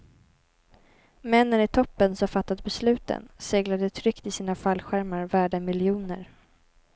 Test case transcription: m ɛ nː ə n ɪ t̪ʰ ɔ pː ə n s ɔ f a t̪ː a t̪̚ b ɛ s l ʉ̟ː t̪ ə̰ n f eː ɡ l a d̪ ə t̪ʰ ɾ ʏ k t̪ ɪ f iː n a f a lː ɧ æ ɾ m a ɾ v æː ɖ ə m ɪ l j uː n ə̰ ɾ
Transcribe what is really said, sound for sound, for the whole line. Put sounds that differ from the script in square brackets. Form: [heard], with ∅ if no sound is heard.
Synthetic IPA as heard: m ɛ nː ə n ɪ t̪ʰ ɔ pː ə n s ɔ f a t̪ː a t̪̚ b ɛ s l ʉ̟ː t̪ ə̰ n [s] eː ɡ l a d̪ ə t̪ʰ ɾ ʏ k t̪ ɪ [s] iː n a f a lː ɧ æ ɾ m a ɾ v æː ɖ ə m ɪ l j uː n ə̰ ɾ